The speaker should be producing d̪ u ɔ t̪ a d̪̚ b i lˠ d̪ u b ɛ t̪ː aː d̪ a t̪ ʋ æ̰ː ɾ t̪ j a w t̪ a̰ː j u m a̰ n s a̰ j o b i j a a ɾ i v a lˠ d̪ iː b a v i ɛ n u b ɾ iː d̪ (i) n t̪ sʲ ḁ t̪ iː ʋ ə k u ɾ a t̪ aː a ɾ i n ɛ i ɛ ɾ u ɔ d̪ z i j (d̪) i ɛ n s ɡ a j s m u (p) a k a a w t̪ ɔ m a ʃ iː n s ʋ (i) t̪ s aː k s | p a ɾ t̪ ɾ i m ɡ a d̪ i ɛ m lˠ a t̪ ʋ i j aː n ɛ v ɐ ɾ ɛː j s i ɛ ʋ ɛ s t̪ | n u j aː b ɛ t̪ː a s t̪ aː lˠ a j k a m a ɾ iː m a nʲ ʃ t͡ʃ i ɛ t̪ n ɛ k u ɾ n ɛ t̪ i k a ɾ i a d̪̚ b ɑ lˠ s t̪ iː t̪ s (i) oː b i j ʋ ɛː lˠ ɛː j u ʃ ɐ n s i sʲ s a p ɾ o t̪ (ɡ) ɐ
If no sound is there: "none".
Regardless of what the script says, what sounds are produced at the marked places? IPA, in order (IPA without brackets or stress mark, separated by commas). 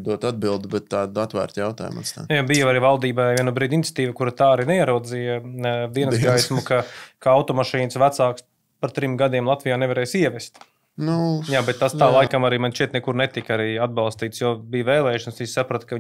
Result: i, d̪, k, æ, j, k